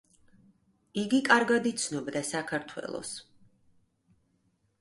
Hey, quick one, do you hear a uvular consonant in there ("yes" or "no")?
no